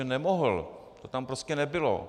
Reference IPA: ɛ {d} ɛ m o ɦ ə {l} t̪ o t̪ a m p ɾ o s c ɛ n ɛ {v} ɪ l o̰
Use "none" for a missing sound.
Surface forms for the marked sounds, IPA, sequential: n, l, b

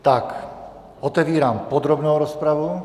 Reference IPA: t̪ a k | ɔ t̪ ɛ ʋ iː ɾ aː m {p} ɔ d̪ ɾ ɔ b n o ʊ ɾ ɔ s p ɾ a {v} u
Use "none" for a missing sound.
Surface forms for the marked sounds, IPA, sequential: p, ʋ

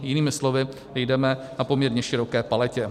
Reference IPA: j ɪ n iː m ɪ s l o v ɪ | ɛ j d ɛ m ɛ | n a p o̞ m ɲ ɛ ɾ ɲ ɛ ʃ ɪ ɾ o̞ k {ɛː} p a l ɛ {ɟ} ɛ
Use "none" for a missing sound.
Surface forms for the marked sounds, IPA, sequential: ɛː, c

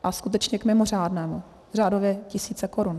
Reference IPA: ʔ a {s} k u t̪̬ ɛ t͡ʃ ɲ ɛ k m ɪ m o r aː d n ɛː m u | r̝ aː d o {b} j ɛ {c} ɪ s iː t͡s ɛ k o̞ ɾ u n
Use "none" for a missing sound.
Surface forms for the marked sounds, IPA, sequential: s, v, c

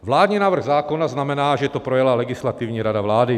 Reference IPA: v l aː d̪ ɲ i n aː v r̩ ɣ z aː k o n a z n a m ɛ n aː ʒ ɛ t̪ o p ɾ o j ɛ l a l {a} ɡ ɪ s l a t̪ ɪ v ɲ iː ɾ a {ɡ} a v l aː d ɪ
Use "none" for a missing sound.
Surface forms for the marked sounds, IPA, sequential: ɛ, d

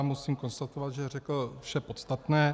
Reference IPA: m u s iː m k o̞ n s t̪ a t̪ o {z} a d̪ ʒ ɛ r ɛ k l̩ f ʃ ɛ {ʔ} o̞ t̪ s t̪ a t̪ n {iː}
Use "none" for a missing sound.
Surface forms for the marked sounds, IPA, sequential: v, p, ɛː

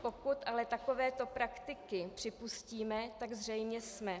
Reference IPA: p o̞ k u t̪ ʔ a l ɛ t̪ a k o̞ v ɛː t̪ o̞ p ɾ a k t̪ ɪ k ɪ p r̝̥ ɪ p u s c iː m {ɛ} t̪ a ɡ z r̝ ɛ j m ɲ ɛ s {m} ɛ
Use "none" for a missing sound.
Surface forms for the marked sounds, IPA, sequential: ɛ, m

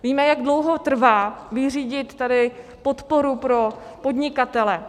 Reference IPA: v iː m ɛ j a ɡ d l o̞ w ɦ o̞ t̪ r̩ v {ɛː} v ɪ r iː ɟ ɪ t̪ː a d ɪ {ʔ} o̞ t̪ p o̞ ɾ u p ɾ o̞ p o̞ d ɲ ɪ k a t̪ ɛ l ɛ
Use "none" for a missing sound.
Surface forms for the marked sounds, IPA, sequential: aː, p

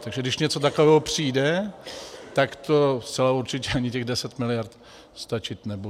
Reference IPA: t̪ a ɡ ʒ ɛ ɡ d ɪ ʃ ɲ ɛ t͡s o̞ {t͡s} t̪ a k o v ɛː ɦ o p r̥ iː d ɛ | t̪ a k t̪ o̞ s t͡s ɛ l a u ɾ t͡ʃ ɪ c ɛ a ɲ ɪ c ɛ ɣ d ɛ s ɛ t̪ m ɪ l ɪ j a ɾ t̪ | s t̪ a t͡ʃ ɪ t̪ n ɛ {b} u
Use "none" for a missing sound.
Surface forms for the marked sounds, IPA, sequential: none, b

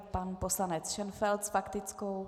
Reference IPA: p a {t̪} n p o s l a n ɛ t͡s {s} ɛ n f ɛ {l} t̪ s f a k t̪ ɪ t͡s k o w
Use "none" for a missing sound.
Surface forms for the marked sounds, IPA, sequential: none, ʃ, l

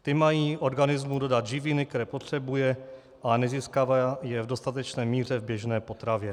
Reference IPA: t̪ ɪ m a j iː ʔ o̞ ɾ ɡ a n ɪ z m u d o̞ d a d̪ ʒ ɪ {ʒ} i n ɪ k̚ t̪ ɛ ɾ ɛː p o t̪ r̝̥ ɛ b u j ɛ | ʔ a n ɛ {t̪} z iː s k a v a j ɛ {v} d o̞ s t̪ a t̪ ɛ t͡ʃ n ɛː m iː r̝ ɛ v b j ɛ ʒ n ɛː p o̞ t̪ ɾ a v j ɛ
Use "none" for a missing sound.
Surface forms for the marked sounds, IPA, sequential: v, none, v

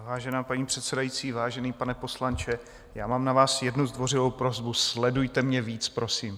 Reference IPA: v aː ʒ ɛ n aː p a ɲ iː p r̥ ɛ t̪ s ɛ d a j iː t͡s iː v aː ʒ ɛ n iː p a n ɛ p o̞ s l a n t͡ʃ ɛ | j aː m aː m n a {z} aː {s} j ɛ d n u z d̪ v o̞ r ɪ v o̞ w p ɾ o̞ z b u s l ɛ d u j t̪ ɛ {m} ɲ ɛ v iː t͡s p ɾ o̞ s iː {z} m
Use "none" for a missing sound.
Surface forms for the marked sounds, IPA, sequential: v, s, m, none

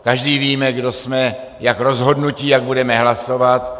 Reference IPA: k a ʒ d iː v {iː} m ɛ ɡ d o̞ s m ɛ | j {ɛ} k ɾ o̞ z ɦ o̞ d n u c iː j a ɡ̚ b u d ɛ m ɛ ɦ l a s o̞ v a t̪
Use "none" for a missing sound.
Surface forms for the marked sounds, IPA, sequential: iː, a

